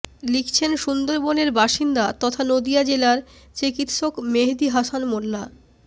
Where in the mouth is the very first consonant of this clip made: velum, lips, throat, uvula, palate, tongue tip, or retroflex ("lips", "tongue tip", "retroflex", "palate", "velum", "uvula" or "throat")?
tongue tip